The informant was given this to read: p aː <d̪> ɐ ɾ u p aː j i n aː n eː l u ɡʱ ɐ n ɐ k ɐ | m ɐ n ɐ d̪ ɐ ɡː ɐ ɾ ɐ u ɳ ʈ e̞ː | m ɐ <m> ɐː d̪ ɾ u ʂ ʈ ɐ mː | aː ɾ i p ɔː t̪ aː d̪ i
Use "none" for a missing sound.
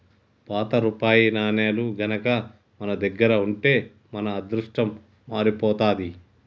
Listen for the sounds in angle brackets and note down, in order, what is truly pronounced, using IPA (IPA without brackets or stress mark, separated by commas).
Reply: t̪, n